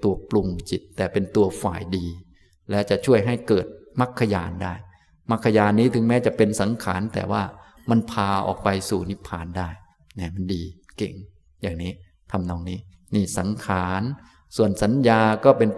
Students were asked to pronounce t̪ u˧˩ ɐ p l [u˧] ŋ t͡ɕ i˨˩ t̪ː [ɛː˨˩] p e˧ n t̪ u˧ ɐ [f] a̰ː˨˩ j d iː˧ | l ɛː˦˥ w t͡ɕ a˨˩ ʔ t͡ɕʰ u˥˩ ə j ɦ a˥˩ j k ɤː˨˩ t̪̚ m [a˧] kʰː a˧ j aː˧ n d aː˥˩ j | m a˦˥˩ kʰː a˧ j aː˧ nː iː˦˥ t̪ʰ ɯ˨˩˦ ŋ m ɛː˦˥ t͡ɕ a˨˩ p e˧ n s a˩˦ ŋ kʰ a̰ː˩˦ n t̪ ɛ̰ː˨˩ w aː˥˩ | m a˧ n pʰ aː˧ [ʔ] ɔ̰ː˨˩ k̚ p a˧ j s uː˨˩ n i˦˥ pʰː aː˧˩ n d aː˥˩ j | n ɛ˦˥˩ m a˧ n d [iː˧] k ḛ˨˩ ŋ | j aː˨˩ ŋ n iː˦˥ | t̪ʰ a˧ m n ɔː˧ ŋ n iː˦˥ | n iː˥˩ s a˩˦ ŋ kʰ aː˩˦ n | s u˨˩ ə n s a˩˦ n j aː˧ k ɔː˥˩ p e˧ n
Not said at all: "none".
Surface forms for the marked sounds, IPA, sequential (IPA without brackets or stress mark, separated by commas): u˧, ɛː˨˩, f, a˦˥˩, ʔ, iː˧